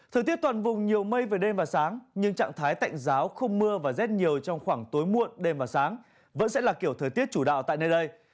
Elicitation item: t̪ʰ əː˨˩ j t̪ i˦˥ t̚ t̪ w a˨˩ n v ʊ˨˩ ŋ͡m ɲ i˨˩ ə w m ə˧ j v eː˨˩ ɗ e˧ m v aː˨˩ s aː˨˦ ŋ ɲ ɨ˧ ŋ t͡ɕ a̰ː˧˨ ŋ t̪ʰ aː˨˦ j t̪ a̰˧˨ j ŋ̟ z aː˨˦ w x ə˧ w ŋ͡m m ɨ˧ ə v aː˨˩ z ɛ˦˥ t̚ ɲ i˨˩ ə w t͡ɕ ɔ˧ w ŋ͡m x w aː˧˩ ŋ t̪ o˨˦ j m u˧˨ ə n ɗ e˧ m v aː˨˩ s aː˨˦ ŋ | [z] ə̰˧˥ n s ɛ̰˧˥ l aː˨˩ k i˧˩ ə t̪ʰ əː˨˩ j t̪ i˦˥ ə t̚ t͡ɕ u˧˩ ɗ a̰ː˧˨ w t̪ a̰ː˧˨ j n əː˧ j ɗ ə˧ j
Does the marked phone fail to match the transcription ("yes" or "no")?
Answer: yes